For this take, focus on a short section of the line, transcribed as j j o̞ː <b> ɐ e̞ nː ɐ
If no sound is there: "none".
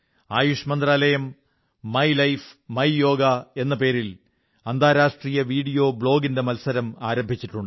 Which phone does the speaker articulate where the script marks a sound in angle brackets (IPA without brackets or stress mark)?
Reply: ɡ